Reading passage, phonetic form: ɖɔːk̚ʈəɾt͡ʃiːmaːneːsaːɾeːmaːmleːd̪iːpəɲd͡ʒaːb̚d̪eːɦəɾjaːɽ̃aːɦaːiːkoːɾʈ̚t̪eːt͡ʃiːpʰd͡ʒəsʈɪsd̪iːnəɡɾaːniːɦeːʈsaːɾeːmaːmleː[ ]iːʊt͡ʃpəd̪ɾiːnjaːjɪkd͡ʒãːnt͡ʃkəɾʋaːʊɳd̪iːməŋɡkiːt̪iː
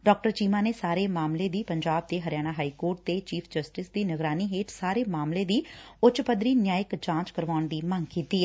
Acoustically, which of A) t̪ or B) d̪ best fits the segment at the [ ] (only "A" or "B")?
B